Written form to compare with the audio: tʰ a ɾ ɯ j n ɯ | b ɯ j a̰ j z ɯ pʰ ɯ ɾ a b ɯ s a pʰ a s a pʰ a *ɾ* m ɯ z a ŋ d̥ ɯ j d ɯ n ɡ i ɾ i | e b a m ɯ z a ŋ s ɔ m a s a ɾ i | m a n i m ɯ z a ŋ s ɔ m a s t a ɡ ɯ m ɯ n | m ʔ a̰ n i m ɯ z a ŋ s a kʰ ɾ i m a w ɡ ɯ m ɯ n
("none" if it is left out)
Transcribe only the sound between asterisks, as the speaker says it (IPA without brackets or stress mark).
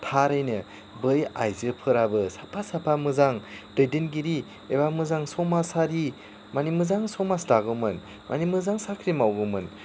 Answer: none